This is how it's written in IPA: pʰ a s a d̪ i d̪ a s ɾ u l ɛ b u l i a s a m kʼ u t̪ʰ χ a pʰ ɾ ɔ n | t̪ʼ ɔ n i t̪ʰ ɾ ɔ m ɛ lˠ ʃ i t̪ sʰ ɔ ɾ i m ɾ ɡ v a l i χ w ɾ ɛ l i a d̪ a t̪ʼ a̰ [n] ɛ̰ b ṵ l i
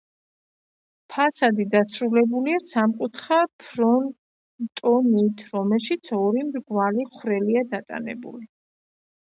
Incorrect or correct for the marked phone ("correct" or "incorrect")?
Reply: correct